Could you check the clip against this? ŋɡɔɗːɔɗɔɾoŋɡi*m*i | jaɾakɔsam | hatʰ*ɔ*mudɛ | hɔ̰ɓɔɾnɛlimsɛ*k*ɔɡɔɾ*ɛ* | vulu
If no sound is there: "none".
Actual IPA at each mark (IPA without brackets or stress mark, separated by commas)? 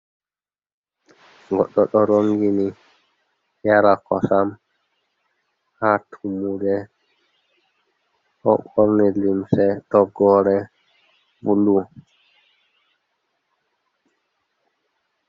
n, u, t, ɛ